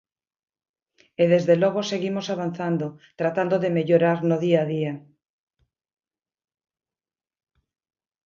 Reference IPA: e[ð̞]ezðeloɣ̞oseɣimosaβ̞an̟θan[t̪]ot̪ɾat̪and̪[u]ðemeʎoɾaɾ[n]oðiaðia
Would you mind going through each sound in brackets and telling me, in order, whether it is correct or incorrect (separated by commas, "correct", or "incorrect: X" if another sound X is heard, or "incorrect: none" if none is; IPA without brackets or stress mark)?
correct, incorrect: d̪, incorrect: o, correct